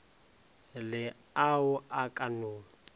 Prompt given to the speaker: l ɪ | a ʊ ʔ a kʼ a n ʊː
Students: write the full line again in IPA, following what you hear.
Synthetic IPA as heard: l ɪ | a ʊ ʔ a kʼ a n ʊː

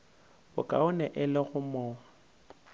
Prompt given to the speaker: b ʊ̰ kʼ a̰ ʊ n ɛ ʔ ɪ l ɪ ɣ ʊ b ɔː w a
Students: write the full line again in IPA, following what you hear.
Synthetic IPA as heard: b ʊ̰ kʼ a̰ ʊ n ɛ ʔ ɪ l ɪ ɣ ʊ m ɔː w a

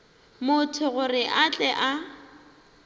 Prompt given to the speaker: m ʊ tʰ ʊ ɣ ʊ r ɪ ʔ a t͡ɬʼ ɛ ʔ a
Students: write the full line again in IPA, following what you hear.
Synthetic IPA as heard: m ʊ tʰ ʊ ɣ ʊ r ɪ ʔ a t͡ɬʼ ɛ ʔ a

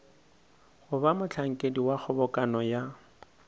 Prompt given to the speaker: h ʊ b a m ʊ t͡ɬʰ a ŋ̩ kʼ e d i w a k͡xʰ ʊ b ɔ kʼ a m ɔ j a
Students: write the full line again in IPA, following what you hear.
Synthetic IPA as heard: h ʊ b a m ʊ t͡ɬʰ a ŋ̩ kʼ e d i w a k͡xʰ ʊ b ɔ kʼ a n ɔ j a

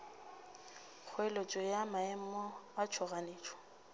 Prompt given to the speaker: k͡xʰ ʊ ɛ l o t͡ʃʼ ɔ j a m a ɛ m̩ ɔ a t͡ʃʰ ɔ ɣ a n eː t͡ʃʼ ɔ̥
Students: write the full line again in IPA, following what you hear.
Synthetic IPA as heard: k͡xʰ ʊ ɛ l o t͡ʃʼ ɔ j a m a ɛ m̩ ɔ a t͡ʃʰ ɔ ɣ a n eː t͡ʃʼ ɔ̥

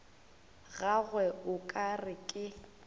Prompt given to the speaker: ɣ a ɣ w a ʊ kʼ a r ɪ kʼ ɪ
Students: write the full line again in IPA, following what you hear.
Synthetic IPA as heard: ɣ a ɣ w ɛ ʊ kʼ a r ɪ kʼ ɪ

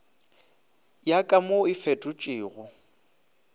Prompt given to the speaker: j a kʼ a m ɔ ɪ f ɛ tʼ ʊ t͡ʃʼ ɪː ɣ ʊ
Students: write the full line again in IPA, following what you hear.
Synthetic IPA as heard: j a kʼ a m o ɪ f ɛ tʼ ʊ t͡ʃʼ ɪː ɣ ʊ

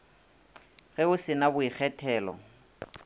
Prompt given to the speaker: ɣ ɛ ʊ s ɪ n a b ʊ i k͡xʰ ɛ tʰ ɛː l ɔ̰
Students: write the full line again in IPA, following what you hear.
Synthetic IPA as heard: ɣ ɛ ʊ s ɪ n a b ʊ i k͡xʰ ɛ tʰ ɛː l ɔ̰

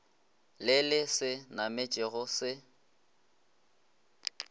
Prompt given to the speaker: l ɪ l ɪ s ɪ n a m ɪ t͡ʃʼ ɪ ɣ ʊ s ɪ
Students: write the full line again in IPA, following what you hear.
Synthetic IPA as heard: l ɪ l ɪ s ɪ n a m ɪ t͡ʃʼ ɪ ɣ ʊ s ɪ

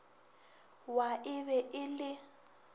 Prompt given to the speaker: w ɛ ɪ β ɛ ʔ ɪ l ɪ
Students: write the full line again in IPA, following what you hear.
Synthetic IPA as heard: w a ɪ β ɛ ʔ ɪ l ɪ

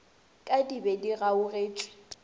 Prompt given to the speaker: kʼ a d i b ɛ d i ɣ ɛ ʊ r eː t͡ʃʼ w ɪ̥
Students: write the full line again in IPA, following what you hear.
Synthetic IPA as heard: kʼ a d i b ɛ d i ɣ a ʊ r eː t͡ʃʼ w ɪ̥

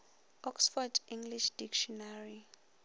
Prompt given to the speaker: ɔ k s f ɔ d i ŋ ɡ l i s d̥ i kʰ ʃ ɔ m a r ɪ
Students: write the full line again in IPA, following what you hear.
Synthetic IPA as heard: ɔ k s f ɔ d i ŋ ɡ l i ʃ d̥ i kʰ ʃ ɔ n a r i

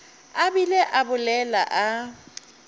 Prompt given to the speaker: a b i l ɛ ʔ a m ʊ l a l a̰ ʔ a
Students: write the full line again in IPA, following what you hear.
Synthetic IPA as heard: a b i l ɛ ʔ a b ʊ l ɛ l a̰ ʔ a

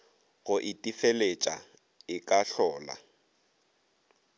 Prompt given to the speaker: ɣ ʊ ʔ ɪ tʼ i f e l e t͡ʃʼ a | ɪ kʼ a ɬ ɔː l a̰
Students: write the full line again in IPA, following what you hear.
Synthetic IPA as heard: ɣ ʊ ʔ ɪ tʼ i f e l e t͡ʃʼ a | ɪ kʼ a ɬ ɔː l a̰

